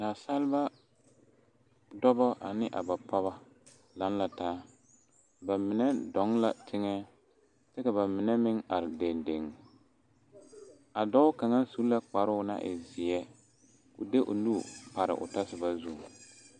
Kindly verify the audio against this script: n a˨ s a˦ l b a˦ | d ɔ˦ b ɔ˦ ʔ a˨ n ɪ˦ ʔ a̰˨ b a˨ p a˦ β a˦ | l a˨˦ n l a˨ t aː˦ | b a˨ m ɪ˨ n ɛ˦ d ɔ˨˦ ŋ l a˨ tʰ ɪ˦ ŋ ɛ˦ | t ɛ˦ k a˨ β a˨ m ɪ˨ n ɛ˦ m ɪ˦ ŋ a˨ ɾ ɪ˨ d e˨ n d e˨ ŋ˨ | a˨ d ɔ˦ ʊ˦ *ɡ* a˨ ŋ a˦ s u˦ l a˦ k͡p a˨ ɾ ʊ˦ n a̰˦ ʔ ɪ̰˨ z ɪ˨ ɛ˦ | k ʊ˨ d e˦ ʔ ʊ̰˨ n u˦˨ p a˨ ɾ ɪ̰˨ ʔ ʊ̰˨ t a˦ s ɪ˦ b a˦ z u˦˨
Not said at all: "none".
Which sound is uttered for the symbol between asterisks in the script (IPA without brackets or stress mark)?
k